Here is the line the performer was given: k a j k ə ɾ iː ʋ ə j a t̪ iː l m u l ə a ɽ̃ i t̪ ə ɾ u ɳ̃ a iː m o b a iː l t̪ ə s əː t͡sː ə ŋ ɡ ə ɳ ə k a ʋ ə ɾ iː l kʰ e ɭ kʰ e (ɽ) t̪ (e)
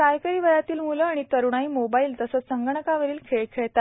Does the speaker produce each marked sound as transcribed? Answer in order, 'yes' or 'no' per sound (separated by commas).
no, no